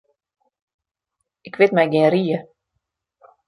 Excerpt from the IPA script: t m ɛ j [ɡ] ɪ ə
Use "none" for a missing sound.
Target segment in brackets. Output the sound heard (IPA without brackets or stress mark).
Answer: ɡ